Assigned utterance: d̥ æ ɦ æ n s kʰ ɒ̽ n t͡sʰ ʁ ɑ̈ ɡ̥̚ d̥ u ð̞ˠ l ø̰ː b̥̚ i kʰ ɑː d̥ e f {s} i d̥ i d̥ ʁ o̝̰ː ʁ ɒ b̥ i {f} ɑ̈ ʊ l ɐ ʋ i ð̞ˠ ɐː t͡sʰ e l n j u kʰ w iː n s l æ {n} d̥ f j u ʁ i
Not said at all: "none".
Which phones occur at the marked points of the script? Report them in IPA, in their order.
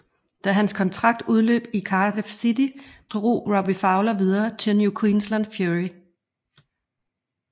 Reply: s, f, n

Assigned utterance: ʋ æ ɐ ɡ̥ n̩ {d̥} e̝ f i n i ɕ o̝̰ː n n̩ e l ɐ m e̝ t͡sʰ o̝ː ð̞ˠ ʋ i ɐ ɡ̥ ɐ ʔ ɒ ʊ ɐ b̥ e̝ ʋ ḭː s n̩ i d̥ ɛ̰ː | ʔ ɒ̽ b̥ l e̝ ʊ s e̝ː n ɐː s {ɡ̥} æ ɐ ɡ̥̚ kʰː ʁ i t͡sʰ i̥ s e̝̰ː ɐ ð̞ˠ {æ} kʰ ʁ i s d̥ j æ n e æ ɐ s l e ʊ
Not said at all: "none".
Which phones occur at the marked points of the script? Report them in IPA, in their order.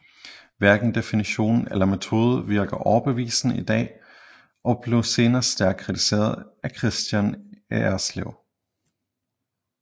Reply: d̥, d̥, æ

